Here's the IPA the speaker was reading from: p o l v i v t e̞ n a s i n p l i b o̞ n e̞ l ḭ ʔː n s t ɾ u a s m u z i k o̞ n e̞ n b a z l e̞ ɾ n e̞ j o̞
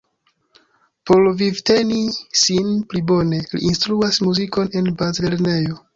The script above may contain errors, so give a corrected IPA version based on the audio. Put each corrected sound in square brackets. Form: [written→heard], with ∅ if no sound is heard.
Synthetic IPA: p o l v i v t e̞ n [a→i] s i n p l i b o̞ n e̞ l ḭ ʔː n s t ɾ u a s m u z i k o̞ n e̞ n b a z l e̞ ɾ n e̞ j o̞